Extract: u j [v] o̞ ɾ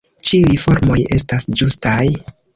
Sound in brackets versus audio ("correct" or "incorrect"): incorrect